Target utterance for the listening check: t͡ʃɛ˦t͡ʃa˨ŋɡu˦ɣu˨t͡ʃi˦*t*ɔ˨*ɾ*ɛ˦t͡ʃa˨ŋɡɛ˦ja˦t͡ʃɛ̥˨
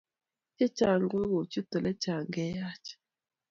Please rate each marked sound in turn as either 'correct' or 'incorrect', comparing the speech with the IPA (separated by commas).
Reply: correct, incorrect